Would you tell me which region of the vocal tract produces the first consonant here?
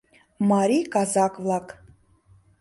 lips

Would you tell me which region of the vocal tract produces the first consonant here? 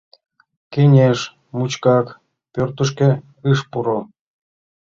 velum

